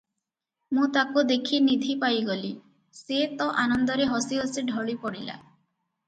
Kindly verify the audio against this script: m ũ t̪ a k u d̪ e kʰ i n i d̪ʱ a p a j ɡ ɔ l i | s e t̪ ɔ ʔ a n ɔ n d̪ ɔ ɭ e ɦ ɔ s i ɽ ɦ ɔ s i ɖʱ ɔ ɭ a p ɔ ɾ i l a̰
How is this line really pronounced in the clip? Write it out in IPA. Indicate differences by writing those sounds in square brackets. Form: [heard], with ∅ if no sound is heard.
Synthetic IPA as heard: m ũ t̪ a k u d̪ e kʰ i n i d̪ʱ [i] p a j ɡ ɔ l i | s e t̪ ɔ ʔ a n ɔ n d̪ ɔ [ɾ] e ɦ ɔ s i [∅] ɦ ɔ s i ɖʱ ɔ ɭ [i] p ɔ [ɽ] i l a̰